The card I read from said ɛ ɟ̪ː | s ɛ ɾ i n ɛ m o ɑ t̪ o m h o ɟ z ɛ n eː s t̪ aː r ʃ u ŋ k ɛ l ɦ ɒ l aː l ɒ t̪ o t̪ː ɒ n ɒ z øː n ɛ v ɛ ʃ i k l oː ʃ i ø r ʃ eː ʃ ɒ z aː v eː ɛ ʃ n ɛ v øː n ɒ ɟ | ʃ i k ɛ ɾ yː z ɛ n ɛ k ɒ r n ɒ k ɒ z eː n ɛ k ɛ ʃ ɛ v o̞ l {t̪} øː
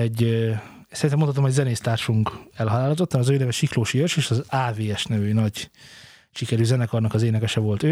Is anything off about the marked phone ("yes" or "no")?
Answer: no